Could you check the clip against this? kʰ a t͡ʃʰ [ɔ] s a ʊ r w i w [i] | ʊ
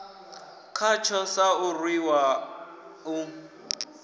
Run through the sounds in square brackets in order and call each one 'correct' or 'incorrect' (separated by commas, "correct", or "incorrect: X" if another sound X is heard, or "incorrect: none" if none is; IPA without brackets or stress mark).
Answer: correct, incorrect: a